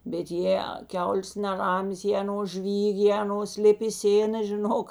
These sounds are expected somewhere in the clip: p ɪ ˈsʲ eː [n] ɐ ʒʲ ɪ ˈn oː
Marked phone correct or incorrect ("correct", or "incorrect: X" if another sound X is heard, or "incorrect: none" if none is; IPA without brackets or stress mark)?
correct